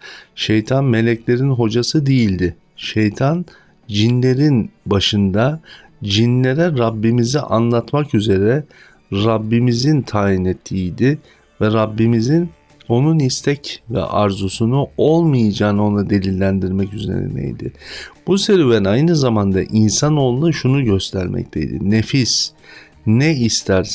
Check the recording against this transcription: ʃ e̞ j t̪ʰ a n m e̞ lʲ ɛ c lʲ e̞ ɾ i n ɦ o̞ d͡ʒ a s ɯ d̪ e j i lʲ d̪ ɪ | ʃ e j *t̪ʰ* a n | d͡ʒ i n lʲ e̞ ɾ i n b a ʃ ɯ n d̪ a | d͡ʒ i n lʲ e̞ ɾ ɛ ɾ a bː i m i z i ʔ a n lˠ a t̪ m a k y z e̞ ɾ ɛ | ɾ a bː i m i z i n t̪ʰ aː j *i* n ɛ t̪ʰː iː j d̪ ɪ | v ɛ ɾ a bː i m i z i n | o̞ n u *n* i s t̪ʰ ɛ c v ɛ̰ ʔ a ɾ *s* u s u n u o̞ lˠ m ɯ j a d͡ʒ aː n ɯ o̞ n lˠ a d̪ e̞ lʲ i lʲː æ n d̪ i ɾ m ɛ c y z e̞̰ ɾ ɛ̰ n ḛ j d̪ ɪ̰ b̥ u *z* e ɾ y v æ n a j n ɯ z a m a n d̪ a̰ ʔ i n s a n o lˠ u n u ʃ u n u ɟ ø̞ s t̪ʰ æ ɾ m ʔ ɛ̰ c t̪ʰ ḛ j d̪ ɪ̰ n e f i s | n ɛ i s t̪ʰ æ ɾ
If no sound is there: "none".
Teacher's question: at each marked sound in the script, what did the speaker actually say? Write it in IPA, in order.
t̪ʰ, i, n, z, s

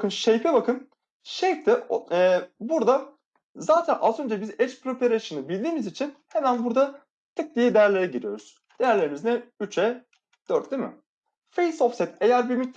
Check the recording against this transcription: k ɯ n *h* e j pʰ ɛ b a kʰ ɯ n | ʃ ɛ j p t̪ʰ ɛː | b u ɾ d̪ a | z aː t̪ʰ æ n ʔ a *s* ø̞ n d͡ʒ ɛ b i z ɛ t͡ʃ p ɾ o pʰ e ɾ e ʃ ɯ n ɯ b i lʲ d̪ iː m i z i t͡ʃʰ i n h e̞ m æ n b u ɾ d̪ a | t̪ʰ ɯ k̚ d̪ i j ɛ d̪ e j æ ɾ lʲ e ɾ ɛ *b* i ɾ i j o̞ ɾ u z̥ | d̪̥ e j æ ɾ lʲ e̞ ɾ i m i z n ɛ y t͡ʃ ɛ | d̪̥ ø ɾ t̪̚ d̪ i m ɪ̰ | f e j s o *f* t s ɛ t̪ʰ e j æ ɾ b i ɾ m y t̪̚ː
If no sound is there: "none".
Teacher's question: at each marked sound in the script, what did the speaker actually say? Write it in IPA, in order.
ʃ, z, ɟ, f

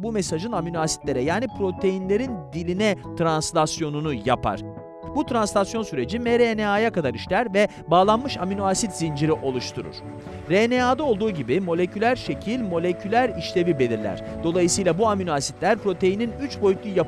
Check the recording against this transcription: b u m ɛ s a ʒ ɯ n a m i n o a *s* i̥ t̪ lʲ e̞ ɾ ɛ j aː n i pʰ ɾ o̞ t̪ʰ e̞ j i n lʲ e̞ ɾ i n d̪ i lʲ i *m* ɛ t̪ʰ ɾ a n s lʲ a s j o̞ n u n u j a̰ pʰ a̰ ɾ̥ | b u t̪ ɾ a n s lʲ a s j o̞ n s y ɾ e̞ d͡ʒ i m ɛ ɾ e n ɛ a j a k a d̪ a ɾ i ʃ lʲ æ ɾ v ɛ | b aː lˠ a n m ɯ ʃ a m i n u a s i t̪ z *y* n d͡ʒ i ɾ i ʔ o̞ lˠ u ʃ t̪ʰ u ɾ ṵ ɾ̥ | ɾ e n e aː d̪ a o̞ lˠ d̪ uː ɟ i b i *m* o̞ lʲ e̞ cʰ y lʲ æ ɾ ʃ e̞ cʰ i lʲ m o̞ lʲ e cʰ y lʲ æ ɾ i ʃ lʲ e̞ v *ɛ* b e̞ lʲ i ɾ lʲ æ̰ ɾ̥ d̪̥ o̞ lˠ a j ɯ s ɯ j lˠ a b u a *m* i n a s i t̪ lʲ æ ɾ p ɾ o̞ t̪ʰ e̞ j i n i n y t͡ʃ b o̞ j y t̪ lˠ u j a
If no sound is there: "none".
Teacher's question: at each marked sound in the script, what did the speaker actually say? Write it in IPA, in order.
s, n, i, m, i, m

